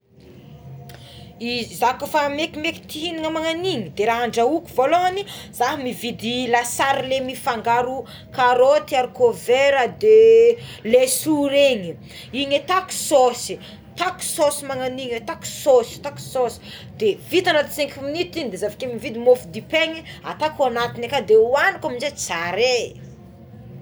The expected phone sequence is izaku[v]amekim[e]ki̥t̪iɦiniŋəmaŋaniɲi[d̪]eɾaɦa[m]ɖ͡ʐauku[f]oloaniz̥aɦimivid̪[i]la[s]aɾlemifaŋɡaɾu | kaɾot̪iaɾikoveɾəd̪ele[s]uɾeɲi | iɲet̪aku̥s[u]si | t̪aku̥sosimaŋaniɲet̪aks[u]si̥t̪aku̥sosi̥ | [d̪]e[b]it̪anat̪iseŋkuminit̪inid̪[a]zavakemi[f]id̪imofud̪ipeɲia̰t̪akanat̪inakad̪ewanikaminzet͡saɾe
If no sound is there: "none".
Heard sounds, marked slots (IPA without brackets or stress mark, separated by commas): f, e, d̪, ɳ, v, i, s, s, o, o, d̪, v, e, v